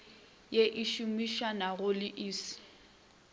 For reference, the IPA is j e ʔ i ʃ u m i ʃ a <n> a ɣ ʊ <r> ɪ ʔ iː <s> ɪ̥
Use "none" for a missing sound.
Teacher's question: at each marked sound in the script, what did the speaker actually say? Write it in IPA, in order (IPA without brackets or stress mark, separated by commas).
n, l, s